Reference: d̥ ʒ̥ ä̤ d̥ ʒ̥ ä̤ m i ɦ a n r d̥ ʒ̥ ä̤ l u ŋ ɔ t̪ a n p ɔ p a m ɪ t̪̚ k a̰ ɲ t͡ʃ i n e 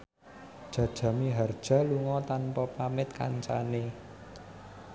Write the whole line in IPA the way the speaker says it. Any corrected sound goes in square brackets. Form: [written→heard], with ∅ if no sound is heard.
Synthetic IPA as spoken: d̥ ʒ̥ ä̤ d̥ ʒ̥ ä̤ m i ɦ a [n→∅] r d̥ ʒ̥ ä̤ l u ŋ ɔ t̪ a n p ɔ p a m ɪ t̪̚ k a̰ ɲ t͡ʃ [i→a] n e